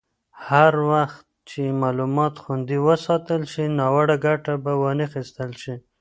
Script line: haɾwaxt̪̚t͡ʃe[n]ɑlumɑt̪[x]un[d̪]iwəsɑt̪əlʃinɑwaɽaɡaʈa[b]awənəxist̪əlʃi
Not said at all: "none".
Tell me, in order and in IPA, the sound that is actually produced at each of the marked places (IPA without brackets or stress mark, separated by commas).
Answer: m, x, d̪, b